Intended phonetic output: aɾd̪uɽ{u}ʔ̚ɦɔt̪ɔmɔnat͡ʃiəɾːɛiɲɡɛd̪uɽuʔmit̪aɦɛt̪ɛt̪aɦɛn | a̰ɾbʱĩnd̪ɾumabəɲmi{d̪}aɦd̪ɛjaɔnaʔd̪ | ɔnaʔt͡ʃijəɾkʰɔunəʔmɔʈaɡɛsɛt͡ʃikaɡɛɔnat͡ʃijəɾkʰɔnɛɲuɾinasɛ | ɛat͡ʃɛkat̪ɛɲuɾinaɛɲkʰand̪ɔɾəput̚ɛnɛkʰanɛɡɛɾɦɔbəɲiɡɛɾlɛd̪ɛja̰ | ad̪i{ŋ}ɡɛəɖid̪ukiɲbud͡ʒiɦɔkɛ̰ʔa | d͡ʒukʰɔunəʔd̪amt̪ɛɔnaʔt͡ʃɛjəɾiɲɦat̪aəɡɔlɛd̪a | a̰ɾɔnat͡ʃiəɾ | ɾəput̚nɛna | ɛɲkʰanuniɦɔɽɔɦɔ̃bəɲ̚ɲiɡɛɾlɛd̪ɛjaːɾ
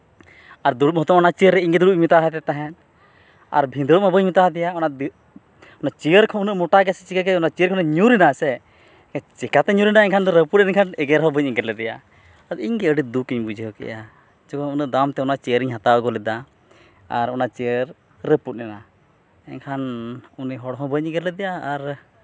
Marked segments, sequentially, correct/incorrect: correct, incorrect: t̪, incorrect: ɲ

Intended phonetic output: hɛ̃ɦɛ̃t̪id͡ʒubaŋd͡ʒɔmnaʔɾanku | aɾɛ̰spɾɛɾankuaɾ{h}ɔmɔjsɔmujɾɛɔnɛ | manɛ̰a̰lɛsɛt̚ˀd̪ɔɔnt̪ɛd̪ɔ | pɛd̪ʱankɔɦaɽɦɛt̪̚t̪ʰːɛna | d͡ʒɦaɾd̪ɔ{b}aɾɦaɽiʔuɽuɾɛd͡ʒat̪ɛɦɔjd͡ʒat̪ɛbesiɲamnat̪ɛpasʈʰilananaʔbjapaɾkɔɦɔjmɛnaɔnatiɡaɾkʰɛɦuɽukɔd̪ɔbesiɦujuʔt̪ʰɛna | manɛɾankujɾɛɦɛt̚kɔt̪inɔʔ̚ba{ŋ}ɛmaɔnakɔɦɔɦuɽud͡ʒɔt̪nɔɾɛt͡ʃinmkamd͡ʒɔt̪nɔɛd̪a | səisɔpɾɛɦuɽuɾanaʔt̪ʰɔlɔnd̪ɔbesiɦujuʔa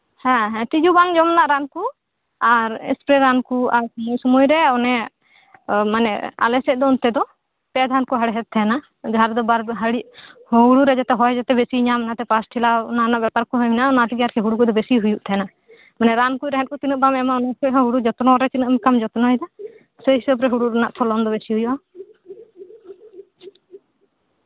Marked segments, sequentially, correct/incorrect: incorrect: s, correct, incorrect: m

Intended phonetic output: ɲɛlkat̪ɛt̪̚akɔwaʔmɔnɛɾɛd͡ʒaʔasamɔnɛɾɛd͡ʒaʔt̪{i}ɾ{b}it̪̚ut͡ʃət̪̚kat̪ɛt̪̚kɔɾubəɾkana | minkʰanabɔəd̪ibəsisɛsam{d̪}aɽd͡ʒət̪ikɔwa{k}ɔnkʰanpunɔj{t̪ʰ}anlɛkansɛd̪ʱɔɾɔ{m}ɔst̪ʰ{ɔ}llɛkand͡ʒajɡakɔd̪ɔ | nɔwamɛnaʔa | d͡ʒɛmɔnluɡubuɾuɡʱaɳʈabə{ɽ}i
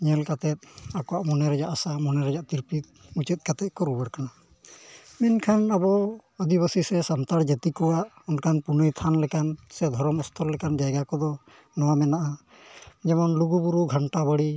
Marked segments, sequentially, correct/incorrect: correct, incorrect: p, incorrect: t̪, incorrect: ʔ, correct, correct, correct, correct

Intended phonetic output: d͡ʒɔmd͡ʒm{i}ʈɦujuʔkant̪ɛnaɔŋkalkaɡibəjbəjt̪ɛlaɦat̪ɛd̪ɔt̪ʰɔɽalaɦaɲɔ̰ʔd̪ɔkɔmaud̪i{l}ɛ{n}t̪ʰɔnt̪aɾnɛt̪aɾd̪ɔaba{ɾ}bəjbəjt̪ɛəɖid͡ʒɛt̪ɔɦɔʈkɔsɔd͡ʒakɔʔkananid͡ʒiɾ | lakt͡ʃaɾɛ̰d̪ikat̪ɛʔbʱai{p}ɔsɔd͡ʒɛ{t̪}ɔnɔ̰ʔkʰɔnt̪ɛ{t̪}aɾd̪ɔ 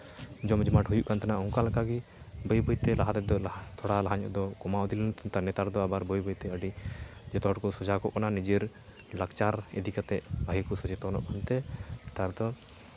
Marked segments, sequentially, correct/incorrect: incorrect: a, correct, correct, correct, incorrect: k, correct, correct

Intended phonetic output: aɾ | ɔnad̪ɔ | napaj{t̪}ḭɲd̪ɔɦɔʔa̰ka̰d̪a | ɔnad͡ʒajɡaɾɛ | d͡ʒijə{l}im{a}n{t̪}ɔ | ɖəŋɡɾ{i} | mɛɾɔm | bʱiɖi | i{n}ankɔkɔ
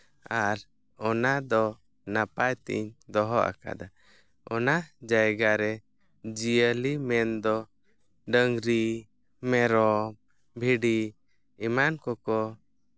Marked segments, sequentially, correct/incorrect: correct, correct, incorrect: ɛ, incorrect: d̪, correct, incorrect: m

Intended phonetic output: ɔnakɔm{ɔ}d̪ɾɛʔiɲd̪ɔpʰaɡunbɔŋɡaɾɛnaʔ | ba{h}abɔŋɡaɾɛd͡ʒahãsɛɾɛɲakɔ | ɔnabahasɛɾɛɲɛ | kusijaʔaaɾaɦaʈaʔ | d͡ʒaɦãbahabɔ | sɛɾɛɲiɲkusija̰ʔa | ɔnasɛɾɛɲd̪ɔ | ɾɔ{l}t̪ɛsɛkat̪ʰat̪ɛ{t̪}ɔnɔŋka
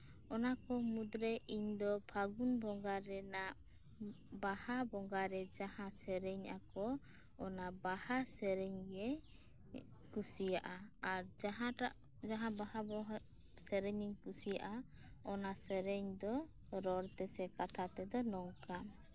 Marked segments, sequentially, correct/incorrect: incorrect: u, correct, incorrect: ɾ, incorrect: d̪

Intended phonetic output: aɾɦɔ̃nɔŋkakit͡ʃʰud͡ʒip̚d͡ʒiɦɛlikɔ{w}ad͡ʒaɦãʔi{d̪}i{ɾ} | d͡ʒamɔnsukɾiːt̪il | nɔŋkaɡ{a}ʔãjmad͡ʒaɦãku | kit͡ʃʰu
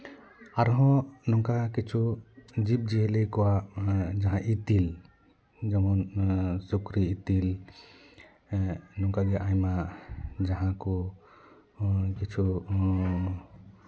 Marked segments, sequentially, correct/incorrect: correct, incorrect: t̪, incorrect: l, incorrect: ɛ

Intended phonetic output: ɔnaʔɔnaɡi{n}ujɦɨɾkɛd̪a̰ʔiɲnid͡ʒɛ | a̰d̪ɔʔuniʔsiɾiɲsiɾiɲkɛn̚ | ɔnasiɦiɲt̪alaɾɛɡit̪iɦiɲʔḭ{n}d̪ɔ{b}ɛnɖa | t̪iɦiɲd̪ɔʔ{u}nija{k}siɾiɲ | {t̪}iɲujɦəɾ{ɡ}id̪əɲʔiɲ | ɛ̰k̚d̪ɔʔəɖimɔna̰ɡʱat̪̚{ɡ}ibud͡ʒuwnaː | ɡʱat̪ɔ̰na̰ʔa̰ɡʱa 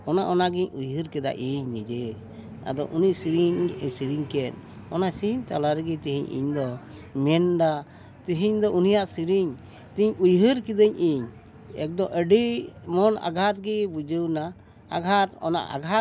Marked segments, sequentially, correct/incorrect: incorrect: ɲ, incorrect: ɲ, incorrect: m, correct, incorrect: ʔ, correct, incorrect: k, correct

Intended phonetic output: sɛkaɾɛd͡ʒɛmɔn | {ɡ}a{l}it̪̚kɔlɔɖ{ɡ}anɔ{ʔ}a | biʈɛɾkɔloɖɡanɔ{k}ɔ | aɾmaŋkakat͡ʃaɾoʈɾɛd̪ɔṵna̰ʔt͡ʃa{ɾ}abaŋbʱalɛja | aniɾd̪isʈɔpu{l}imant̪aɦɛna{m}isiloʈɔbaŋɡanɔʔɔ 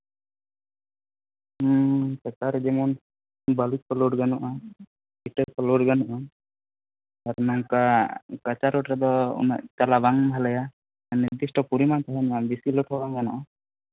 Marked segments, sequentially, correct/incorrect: incorrect: b, correct, correct, correct, incorrect: ʔ, incorrect: l, incorrect: ɾ, incorrect: b

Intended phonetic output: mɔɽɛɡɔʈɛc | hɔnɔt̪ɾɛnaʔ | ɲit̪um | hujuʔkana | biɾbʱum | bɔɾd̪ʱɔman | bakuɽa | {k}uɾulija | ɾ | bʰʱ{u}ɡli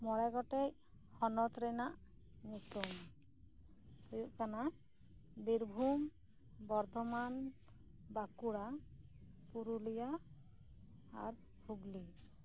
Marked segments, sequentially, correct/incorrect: incorrect: p, correct

